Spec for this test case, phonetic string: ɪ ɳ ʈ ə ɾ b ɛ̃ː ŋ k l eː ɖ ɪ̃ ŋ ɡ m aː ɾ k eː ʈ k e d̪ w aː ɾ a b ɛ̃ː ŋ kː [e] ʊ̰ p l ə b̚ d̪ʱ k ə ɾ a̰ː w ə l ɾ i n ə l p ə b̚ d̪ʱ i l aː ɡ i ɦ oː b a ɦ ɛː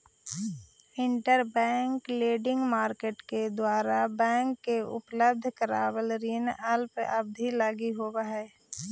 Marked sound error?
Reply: no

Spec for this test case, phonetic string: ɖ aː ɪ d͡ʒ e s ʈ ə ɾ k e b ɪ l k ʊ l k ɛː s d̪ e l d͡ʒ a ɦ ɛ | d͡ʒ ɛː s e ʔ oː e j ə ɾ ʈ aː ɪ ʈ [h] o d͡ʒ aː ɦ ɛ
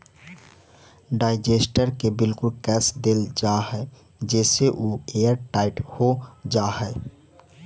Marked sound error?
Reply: no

